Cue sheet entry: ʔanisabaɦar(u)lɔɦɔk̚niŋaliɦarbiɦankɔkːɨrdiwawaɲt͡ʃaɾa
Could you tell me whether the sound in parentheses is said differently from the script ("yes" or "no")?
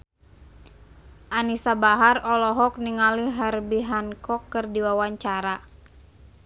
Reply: yes